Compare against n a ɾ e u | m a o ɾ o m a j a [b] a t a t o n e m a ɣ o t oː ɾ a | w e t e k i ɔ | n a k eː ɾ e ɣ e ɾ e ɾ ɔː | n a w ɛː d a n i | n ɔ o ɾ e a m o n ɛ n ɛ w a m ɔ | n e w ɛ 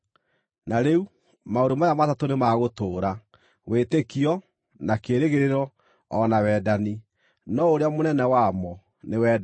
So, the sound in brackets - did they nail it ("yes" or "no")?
no